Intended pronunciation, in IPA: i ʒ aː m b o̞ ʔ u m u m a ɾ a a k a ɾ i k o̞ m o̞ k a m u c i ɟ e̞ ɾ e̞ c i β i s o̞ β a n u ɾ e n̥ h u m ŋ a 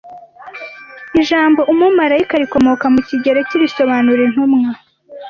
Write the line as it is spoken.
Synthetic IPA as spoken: i ʒ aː m b o̞ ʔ u m u m a ɾ a i k a ɾ i k o̞ m o̞ k a m u c i ɟ e̞ ɾ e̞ c i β i s o̞ β a n u ɾ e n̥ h u m ŋ a